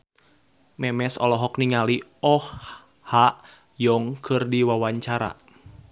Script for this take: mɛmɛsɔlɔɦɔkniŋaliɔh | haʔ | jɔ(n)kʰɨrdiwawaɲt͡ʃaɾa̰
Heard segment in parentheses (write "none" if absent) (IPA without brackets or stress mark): ŋ